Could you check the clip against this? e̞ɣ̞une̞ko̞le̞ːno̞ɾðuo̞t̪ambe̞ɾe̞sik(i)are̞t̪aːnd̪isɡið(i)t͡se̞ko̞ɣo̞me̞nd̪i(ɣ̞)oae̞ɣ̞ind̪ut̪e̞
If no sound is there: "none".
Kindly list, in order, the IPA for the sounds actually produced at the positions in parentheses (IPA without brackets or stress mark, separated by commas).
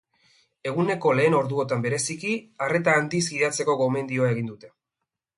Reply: i, a, none